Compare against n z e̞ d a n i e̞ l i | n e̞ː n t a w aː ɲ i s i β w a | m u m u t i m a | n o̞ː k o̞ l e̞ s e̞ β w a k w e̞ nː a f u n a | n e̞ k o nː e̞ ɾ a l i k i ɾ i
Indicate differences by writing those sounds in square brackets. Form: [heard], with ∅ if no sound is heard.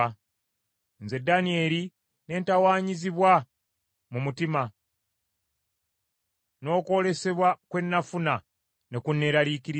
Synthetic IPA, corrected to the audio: n z e̞ d a n i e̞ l i | n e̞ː n t a w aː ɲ i [z] i β w a | m u m u t i m a | n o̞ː k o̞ l e̞ s e̞ β w a k w e̞ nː a f u n a | n e̞ k [u] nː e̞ ɾ a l i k i ɾ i